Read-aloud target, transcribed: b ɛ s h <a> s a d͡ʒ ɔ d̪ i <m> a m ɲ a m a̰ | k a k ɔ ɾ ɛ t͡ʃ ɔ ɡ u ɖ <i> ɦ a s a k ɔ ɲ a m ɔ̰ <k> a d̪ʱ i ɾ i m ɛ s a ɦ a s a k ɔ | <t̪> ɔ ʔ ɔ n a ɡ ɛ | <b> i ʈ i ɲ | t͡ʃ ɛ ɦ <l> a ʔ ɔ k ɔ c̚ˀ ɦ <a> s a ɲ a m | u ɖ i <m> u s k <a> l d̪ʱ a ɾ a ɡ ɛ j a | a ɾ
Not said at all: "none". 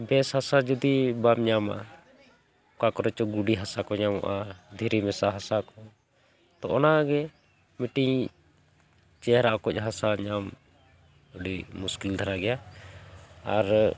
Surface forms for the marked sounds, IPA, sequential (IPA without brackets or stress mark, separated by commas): a, b, i, ʔ, t̪, m, ɾ, a, m, i